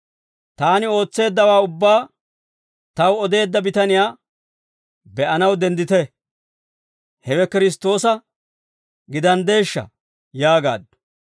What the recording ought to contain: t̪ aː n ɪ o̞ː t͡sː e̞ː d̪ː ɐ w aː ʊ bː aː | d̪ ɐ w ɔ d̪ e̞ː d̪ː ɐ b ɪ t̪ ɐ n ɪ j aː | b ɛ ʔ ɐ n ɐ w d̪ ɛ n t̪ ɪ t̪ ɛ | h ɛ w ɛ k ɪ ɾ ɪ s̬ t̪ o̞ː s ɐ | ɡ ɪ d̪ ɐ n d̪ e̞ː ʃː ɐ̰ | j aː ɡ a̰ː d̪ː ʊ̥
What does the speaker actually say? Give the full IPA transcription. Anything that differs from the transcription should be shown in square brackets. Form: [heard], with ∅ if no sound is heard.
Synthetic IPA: t̪ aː n ɪ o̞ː t͡sː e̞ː d̪ː ɐ w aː ʊ bː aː | [t̪] ɐ w ɔ d̪ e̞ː d̪ː ɐ b ɪ t̪ ɐ n ɪ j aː | b ɛ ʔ ɐ n ɐ w d̪ ɛ n [d̪] ɪ t̪ ɛ | h ɛ w ɛ k ɪ ɾ ɪ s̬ t̪ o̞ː s ɐ | ɡ ɪ d̪ ɐ n d̪ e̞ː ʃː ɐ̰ | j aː ɡ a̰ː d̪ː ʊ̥